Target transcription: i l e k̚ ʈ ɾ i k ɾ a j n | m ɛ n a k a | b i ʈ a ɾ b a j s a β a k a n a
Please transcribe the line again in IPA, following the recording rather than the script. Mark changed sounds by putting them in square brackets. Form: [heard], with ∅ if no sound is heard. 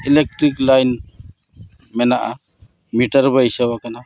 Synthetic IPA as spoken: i l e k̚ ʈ ɾ i k [l] a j n | m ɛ n a [ʔ] a | [m] i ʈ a ɾ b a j s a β a k a n a

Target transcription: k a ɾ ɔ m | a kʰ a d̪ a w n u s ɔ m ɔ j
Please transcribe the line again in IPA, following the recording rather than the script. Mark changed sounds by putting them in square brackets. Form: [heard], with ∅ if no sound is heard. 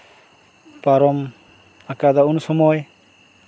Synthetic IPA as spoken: [p] a ɾ ɔ m | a [k] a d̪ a [u] n u s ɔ m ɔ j

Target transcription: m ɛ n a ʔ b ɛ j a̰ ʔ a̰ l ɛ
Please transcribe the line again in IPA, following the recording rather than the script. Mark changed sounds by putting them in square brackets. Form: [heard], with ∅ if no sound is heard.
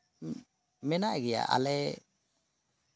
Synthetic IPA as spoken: m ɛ n a ʔ [ɡ] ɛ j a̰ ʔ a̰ l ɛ

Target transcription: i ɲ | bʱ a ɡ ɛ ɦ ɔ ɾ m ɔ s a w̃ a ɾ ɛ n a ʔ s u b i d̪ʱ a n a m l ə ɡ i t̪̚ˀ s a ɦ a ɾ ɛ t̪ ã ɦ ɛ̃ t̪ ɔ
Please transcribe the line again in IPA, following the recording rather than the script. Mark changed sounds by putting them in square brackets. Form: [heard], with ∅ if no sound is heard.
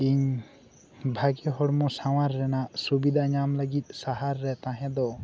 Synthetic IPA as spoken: i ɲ | bʱ a ɡ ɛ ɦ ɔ [ɽ] m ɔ s a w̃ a [ɾː] ɛ n a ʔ s u b i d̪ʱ a [ɲ] a m l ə ɡ i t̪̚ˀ s a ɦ a [ɾː] ɛ t̪ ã ɦ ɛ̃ [d̪] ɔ

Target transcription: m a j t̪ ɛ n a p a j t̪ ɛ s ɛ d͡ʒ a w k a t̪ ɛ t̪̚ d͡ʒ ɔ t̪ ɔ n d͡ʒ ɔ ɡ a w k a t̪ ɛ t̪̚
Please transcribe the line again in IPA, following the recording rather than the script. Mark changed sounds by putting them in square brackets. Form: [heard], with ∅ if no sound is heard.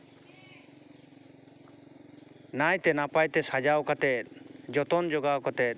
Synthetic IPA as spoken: [n] a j t̪ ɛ n a p a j t̪ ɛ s [a] d͡ʒ a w k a t̪ ɛ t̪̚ d͡ʒ ɔ t̪ ɔ n d͡ʒ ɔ ɡ a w k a t̪ ɛ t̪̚

